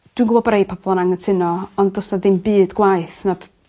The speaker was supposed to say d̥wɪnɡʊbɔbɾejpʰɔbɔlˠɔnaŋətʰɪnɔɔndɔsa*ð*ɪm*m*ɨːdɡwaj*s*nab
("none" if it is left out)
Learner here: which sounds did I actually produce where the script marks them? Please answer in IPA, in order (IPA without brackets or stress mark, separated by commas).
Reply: ð, b, θ